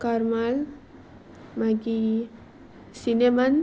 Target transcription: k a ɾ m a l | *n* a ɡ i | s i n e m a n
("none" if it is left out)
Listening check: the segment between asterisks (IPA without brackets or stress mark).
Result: m